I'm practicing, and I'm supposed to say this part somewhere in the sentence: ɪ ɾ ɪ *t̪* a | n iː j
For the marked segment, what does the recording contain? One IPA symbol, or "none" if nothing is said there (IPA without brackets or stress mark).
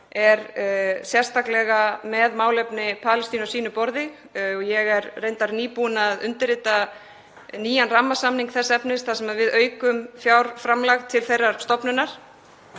t̪